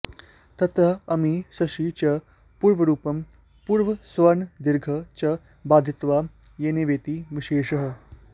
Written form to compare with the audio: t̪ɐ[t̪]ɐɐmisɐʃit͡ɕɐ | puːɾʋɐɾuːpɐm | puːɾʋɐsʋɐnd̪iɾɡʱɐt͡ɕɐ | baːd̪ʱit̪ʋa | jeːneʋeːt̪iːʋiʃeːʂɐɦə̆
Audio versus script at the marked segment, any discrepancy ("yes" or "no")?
no